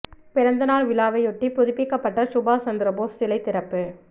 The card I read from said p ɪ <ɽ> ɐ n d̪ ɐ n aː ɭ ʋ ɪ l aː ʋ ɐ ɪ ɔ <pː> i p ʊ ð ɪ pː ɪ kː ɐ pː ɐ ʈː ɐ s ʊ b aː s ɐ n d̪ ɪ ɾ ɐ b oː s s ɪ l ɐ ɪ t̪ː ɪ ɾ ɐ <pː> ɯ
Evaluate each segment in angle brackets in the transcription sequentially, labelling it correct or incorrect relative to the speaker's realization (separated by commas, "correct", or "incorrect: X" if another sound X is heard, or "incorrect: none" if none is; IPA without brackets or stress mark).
incorrect: ɾ, incorrect: ʈː, correct